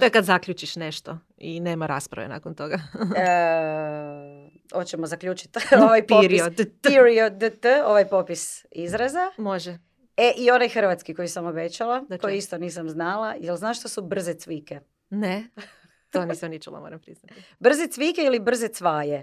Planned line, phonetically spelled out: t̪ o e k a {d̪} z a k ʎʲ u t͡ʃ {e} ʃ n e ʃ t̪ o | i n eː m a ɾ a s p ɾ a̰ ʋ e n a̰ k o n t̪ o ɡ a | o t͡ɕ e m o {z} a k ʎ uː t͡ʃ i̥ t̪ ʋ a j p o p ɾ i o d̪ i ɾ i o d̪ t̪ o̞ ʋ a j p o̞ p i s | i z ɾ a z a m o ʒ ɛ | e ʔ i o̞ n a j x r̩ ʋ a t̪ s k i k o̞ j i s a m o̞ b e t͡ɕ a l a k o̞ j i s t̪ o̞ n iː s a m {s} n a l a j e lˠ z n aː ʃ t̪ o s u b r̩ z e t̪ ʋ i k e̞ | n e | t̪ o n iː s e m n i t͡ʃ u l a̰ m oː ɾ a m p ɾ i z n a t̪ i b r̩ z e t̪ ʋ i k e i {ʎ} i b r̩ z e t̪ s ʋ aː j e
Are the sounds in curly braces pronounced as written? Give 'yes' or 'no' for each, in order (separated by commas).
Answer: yes, no, yes, no, no